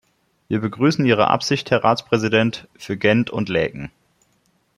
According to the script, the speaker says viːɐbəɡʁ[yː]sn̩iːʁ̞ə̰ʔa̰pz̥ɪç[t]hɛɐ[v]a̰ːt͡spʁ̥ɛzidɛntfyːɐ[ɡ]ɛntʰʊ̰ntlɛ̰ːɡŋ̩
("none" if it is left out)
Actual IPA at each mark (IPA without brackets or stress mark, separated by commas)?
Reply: yː, t, ʁ, ɡ